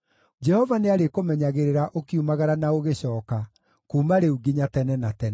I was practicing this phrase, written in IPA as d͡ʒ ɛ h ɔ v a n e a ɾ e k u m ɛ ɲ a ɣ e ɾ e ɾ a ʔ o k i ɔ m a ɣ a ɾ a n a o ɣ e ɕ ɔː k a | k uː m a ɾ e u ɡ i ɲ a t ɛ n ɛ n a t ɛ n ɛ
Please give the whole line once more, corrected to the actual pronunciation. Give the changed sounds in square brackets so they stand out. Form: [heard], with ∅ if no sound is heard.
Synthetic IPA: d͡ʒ ɛ h ɔ v a n e a ɾ e k [o] m ɛ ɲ a ɣ e ɾ e ɾ a ʔ o k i [u] m a ɣ a ɾ a n a o ɣ e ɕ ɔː k a | k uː m a ɾ e u ɡ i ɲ a t ɛ n ɛ n a t ɛ n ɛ

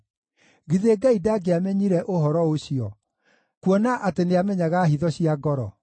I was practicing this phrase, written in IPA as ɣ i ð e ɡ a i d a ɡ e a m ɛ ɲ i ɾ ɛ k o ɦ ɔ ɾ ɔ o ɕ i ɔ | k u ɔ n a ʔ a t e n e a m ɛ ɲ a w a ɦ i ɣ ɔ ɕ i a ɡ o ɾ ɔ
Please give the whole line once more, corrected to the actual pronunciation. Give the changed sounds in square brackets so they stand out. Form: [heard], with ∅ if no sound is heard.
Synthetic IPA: ɣ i ð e ɡ a i d a ɡ e a m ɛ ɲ i ɾ ɛ [ʔ] o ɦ ɔ ɾ ɔ o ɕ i ɔ | k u ɔ n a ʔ a t e n e a m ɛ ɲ a [ɣ] a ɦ i [ð] ɔ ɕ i a ɡ [ɔ] ɾ ɔ

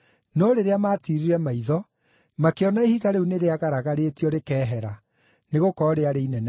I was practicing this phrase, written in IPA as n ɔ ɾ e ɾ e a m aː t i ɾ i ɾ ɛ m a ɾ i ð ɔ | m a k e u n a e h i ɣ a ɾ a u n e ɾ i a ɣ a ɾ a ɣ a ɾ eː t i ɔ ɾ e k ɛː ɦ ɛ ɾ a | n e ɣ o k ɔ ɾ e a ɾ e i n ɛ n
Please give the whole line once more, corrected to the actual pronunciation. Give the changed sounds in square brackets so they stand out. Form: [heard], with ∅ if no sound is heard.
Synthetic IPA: n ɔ ɾ e ɾ e a m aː t i ɾ i ɾ ɛ m a [∅] i ð ɔ | m a k e [ɔ] n a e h i ɣ a ɾ [e] u n e ɾ [e] a ɣ a ɾ a ɣ a ɾ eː t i ɔ ɾ e k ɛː ɦ ɛ ɾ a | n e ɣ o k ɔ ɾ e a ɾ e i n ɛ n

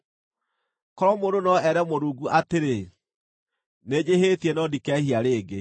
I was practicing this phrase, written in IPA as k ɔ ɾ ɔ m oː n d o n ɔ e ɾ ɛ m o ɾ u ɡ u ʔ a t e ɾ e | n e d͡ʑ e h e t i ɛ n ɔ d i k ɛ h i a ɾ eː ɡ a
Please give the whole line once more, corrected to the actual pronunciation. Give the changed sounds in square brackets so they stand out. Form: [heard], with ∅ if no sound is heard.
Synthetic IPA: k ɔ ɾ ɔ m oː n d o n ɔ [ɛ] ɾ ɛ m o ɾ u ɡ u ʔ a t e ɾ e | n e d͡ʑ e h e t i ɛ n ɔ d i k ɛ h i a ɾ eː ɡ [e]

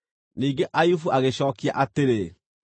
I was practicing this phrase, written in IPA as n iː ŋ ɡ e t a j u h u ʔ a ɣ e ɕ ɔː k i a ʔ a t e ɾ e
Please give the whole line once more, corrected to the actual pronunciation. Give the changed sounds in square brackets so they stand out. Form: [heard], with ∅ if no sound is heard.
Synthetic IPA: n iː ŋ ɡ e [ʔ] a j u [f] u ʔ a ɣ e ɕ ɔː k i a ʔ a t e ɾ e

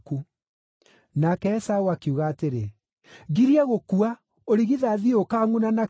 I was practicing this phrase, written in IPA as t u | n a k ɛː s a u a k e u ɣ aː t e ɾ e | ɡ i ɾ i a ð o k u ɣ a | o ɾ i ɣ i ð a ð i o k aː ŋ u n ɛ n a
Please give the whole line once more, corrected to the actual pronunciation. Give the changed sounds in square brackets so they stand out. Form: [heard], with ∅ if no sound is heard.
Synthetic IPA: [k] u | n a k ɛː s a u a k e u ɣ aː t e ɾ e | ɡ i ɾ i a [ɣ] o k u [∅] a | o ɾ i ɣ i ð a ð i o k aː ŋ u n [a] n a

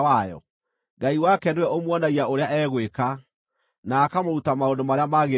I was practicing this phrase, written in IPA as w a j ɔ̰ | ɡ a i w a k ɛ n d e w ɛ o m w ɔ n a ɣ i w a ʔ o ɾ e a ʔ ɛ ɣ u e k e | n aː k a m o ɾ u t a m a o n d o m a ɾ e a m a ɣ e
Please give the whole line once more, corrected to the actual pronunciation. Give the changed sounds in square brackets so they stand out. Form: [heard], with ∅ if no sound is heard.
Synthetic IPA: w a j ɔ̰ | ɡ a i w a k ɛ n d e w ɛ o m w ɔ n a ɣ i [∅] a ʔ o ɾ e a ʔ ɛ ɣ [w] e k [a] | n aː k a m o ɾ u t a m a o n d o m a ɾ e a m a ɣ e

